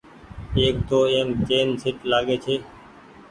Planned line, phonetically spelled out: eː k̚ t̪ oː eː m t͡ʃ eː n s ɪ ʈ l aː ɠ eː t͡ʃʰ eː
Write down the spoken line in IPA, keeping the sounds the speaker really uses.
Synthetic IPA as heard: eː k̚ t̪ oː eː m t͡ʃ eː n s ɪ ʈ l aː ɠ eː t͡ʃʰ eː